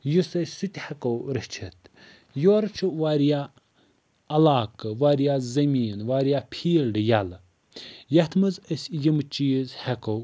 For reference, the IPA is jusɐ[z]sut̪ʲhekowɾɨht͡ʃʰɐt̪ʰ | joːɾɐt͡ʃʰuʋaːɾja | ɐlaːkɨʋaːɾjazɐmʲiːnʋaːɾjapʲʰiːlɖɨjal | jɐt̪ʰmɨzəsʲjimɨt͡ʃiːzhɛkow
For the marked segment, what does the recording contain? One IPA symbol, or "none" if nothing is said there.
none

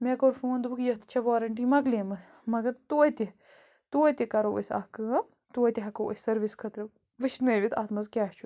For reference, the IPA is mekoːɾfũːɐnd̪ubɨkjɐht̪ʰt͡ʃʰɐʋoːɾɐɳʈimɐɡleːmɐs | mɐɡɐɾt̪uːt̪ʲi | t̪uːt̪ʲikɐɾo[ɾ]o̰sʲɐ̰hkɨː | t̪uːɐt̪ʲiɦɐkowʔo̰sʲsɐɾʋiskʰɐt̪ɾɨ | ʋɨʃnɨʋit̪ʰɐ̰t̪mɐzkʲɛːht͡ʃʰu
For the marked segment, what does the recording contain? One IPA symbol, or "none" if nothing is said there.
none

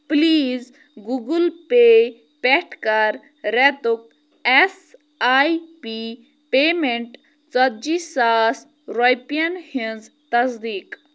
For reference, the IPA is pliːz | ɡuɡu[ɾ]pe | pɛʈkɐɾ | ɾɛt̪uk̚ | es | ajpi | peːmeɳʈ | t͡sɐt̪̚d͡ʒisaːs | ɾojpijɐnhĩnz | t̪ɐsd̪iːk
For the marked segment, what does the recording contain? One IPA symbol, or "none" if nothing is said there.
l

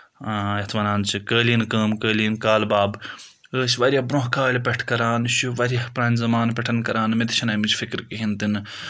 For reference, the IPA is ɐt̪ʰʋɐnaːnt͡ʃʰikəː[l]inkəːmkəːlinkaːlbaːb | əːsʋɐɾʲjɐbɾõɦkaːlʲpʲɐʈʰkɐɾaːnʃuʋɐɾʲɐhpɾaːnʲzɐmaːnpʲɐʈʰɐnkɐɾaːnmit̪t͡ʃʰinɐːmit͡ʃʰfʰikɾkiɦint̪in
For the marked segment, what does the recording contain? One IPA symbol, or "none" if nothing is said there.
l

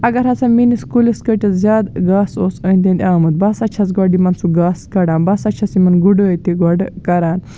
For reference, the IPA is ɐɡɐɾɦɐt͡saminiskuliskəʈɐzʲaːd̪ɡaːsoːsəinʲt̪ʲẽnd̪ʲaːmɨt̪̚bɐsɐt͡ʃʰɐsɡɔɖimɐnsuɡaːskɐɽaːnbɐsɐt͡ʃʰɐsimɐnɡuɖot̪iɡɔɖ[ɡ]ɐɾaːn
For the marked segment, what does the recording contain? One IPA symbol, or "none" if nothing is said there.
k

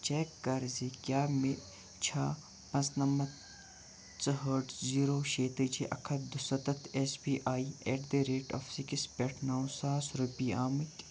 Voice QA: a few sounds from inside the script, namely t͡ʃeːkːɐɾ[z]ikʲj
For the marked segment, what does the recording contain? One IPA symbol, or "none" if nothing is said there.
z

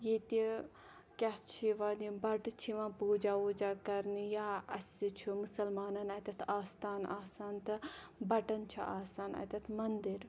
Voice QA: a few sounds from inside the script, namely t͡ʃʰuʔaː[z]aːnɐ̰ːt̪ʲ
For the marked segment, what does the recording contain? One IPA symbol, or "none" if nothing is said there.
s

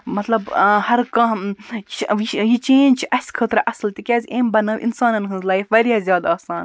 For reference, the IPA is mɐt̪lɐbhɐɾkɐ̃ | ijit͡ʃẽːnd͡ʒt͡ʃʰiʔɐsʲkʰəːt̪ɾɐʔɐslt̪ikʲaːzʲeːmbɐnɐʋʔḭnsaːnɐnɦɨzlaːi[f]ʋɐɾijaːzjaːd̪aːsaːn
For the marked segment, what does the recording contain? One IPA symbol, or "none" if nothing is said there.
f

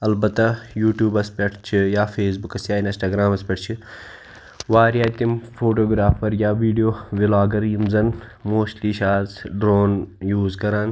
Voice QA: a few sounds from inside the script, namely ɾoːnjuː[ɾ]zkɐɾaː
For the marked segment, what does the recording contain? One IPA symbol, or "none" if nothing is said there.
none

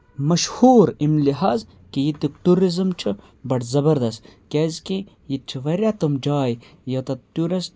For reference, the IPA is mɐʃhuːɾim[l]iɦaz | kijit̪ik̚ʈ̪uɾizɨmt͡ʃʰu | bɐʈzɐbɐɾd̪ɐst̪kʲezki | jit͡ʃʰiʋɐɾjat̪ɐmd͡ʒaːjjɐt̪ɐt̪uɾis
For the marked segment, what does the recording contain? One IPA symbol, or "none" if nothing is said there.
l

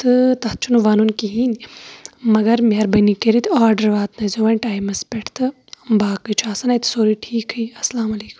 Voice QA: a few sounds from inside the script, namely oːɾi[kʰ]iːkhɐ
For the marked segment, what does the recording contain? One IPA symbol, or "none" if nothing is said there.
ʈʰ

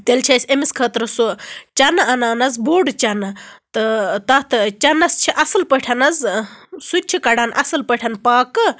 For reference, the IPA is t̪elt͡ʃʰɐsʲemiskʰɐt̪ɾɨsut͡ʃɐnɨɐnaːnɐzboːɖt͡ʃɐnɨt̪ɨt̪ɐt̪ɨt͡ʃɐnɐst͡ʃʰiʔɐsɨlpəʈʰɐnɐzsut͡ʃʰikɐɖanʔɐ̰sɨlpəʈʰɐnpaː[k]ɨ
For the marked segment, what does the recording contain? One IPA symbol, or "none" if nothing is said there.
k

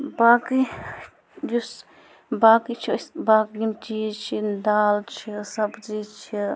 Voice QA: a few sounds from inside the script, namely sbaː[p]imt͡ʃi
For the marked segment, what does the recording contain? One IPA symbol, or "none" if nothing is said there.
k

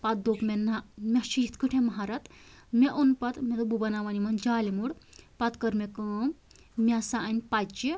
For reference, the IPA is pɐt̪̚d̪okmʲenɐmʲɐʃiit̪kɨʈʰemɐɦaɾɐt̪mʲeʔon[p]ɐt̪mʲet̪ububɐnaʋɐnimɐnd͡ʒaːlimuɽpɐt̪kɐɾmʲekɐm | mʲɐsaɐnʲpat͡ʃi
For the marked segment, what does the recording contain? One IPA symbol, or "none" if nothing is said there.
p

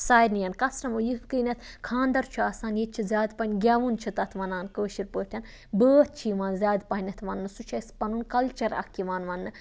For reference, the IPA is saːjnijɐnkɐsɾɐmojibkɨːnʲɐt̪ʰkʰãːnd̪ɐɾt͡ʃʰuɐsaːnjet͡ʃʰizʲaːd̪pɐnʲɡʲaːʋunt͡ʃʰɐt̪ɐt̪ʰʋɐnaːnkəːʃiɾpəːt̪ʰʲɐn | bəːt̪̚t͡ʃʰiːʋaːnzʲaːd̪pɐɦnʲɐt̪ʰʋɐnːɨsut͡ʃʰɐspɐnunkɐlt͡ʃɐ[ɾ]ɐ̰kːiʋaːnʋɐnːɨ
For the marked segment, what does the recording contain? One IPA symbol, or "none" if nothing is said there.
ɾ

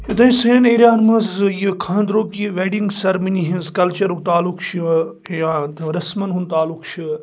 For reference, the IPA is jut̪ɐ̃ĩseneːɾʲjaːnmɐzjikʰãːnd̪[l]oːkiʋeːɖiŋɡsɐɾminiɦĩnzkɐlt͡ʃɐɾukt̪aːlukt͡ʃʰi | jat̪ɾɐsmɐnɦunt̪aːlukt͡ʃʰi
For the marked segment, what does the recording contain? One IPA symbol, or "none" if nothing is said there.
ɾ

